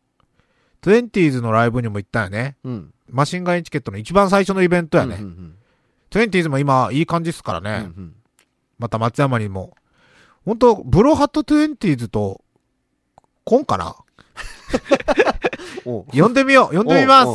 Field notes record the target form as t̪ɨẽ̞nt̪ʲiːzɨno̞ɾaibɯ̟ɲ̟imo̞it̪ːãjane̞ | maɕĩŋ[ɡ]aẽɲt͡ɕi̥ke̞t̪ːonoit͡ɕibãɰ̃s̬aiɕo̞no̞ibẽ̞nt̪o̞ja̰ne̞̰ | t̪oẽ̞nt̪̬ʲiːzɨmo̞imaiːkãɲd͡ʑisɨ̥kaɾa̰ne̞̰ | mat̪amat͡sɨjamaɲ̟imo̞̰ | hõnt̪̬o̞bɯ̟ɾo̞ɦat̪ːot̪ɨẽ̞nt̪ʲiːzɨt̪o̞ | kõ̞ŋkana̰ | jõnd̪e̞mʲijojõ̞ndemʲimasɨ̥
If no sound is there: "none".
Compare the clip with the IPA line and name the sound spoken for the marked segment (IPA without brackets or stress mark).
ɡ